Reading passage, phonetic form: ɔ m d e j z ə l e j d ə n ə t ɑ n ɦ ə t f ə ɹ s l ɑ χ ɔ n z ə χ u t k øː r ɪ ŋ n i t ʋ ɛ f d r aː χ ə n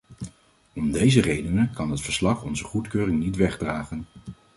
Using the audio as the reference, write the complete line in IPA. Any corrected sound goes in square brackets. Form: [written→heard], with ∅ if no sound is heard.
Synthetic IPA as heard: ɔ m d e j z ə [l→r] e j d ə n ə [t→k] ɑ n ɦ ə t f ə ɹ s l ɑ χ ɔ n z ə χ u t k øː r ɪ ŋ n i t ʋ ɛ [f→χ] d r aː χ ə n